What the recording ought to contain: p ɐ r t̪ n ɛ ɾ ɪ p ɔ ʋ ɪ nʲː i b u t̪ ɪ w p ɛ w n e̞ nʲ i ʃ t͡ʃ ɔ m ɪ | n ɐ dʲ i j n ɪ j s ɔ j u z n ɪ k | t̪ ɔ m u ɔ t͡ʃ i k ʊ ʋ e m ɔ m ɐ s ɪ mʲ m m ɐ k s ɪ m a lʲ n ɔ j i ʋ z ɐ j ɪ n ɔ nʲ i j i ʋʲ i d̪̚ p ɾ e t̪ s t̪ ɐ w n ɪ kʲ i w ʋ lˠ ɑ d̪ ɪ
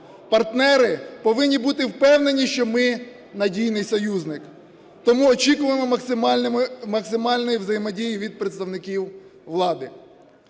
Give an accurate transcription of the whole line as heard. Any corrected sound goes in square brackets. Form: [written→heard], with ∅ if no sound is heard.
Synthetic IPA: p ɐ r t̪ n ɛ ɾ ɪ p ɔ ʋ ɪ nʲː i b u t̪ ɪ w p ɛ w n e̞ nʲ i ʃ t͡ʃ ɔ m ɪ | n ɐ dʲ i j n ɪ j s ɔ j u z n ɪ k | t̪ ɔ m u ɔ t͡ʃ i k ʊ ʋ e m ɔ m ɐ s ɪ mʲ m m ɐ k s ɪ m [a→ɑ] lʲ n ɔ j i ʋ z ɐ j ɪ [n→m] ɔ [nʲ→dʲ] i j i ʋʲ i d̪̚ p ɾ e t̪ s t̪ ɐ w n ɪ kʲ i w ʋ lˠ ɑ d̪ ɪ